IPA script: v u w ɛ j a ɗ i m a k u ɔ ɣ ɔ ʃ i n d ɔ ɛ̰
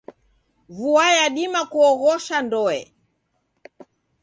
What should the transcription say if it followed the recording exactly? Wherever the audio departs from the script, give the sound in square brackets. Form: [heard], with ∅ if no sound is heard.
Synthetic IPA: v u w [a] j a ɗ i m a k u ɔ ɣ ɔ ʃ [a] n d ɔ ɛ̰